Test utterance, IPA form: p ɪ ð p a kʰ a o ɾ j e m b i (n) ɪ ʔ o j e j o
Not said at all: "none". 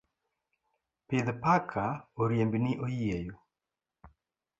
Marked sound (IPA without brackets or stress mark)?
n